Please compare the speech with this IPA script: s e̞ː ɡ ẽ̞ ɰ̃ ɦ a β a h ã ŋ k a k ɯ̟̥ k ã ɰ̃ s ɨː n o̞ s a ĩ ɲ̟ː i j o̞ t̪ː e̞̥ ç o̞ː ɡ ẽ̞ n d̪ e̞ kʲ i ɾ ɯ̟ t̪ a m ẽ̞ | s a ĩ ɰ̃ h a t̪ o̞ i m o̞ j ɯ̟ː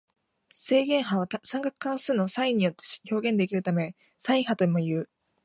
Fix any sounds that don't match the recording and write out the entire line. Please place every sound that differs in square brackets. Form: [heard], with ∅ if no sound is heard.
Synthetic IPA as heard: s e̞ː ɡ ẽ̞ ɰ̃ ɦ a β a [s] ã ŋ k a k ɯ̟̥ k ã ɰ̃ s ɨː n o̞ s a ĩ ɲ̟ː i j o̞ t̪ː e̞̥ ç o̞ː ɡ ẽ̞ n d̪ e̞ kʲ i ɾ ɯ̟ t̪ a m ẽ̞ | s a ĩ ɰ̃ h a t̪ o̞ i m o̞ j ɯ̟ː